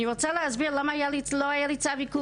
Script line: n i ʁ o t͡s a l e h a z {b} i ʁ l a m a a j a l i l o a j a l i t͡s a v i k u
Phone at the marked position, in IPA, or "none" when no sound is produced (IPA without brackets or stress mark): b